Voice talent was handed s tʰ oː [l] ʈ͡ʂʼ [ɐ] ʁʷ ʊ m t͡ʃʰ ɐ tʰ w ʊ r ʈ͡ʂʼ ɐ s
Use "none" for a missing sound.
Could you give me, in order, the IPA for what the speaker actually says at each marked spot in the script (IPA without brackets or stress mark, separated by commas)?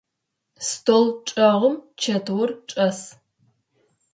l, ɐ